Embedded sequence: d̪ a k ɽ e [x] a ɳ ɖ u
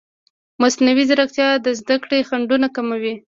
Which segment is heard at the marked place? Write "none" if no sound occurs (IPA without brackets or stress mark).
x